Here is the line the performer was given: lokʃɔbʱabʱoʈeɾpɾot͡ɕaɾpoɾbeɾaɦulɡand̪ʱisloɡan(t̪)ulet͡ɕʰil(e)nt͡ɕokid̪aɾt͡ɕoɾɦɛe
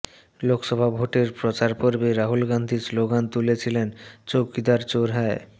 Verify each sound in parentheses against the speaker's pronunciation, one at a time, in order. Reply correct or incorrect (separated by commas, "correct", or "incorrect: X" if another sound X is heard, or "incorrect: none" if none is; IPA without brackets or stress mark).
correct, correct